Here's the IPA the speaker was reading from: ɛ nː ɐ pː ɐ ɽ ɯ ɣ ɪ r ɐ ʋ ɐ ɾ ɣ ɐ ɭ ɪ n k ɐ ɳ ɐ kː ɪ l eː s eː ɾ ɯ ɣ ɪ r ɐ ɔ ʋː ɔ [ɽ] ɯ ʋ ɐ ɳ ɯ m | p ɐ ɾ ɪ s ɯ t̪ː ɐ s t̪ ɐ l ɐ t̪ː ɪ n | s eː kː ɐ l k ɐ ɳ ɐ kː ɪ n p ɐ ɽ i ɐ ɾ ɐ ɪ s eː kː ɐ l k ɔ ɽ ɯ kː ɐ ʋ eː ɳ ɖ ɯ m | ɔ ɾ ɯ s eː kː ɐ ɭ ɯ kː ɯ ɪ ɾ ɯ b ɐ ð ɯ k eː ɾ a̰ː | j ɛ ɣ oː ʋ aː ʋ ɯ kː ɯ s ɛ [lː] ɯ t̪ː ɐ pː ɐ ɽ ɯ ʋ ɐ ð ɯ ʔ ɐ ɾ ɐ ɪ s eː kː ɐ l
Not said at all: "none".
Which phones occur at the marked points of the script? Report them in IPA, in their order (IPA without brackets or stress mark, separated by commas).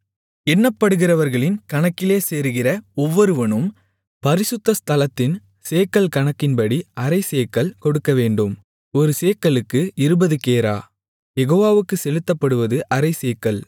ɾ, l